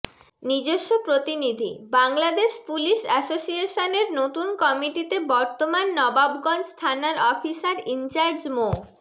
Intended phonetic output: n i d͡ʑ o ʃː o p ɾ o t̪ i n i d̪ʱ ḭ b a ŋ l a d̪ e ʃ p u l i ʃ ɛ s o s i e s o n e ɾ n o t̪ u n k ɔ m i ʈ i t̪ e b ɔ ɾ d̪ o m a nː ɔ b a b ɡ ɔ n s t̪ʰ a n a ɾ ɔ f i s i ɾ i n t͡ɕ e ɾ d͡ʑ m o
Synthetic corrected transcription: n i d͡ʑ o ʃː o p ɾ o t̪ i n i d̪ʱ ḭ b a ŋ l a d̪ e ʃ p u l i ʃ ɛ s o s i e ʃ o n e ɾ n o t̪ u n k ɔ m i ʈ i t̪ e b ɔ ɾ t̪ o m a nː ɔ b a b ɡ ɔ n s t̪ʰ a n a ɾ ɔ f i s a ɾ i n t͡ɕ a ɾ d͡ʑ m o